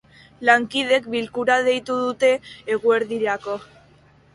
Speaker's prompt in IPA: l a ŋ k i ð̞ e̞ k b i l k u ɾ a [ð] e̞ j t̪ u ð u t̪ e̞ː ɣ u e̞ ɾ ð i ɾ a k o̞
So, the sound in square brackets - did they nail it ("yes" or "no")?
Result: yes